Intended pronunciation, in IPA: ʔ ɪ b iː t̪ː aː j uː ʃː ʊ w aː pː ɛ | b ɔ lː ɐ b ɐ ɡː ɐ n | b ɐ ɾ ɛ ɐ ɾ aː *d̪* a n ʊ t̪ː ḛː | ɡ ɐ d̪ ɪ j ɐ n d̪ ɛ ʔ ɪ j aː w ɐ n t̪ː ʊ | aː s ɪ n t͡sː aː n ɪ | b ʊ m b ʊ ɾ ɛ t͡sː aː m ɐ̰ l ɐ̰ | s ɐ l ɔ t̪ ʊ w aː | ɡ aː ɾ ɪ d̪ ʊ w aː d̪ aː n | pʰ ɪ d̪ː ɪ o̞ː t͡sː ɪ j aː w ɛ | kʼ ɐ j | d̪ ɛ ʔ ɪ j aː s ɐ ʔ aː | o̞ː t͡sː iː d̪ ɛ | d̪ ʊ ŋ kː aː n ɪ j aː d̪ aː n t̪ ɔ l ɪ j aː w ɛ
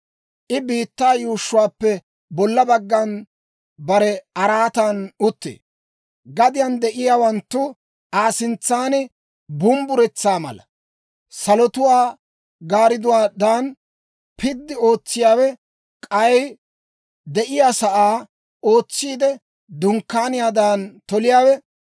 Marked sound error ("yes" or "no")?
yes